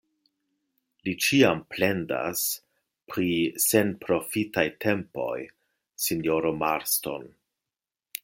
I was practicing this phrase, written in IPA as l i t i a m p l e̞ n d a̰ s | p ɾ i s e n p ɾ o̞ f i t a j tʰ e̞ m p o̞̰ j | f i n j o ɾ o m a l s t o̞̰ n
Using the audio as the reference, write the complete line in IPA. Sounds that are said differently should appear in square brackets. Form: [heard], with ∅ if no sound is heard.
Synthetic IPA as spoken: l i [t͡ʃ] i a m p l e̞ n d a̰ s | p ɾ i s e n p ɾ o̞ f i t a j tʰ e̞ m p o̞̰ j | [s] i n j o ɾ o m a [ɾ] s t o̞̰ n